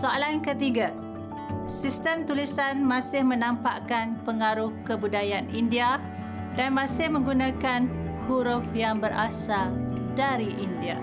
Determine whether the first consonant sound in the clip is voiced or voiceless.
voiceless